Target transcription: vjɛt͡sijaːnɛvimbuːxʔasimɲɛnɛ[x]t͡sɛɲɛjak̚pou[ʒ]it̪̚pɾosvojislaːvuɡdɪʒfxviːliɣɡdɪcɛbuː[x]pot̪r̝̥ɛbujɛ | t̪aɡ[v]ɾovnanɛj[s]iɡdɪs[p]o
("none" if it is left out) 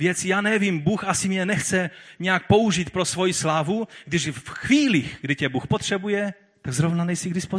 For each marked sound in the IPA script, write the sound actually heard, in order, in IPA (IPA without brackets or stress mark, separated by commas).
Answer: x, ʒ, x, z, s, p